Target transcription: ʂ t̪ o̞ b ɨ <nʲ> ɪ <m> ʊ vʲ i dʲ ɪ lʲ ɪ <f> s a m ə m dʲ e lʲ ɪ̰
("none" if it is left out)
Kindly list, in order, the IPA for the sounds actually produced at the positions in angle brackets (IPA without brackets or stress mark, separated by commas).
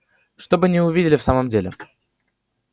nʲ, none, f